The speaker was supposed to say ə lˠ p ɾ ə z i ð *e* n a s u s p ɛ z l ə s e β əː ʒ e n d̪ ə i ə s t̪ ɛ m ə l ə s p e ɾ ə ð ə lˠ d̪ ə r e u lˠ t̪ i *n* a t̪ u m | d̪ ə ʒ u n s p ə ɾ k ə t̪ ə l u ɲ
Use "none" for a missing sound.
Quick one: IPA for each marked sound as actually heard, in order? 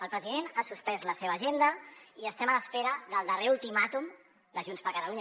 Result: e, m

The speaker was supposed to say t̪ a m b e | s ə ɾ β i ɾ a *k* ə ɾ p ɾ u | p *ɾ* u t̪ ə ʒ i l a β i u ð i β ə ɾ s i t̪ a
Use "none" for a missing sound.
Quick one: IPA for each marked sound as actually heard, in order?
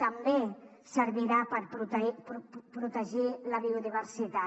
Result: p, ɾ

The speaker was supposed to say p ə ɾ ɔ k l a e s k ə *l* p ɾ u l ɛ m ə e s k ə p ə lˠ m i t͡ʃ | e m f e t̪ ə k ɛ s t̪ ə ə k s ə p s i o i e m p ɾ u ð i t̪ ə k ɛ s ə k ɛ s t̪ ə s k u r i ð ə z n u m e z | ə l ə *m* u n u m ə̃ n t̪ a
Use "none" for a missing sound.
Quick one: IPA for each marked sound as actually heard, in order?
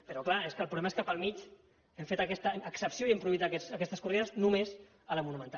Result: l, m

